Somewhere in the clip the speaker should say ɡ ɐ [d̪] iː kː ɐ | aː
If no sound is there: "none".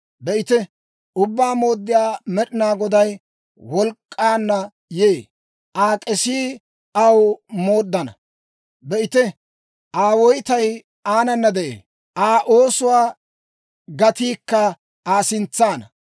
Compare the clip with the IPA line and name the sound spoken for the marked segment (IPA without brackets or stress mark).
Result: t̪